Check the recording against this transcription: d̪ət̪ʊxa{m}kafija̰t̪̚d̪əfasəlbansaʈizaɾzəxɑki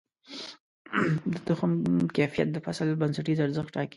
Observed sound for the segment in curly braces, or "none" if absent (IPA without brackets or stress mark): m